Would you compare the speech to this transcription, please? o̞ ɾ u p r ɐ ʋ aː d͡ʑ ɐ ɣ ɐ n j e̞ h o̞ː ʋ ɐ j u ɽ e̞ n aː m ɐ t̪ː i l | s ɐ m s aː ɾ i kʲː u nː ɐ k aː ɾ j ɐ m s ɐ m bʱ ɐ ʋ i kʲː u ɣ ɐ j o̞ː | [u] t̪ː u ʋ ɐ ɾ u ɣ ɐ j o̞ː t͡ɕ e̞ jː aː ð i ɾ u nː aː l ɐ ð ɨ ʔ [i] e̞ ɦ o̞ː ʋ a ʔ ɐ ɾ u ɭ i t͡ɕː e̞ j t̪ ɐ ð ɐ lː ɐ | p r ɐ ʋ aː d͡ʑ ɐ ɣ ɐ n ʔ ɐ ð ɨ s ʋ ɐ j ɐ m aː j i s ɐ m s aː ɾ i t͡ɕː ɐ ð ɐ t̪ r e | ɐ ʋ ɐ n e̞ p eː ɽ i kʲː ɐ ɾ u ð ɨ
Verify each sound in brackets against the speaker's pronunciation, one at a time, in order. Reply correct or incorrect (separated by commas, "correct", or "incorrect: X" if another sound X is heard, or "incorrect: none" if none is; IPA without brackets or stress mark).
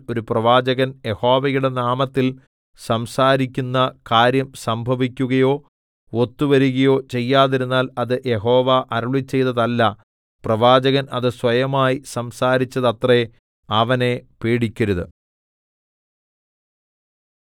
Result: incorrect: o, incorrect: j